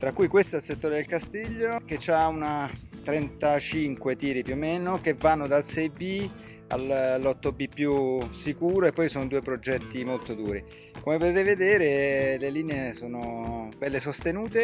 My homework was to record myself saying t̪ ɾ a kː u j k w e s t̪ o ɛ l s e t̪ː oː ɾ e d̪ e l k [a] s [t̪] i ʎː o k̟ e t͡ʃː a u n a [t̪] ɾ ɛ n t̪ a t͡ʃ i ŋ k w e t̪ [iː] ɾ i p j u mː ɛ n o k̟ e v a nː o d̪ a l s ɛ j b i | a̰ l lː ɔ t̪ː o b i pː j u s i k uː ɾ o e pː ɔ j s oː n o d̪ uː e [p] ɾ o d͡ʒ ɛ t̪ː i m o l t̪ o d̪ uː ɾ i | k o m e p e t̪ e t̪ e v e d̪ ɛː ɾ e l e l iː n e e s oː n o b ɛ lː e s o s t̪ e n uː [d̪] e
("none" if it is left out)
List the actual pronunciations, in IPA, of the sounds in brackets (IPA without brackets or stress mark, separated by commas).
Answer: a, t̪, t̪, iː, p, t̪